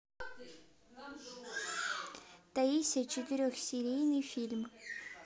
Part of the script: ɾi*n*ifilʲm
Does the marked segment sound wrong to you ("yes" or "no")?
no